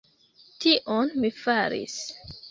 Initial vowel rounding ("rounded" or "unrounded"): unrounded